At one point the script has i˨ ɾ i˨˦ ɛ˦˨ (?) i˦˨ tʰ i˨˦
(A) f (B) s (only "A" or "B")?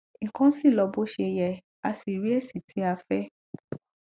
B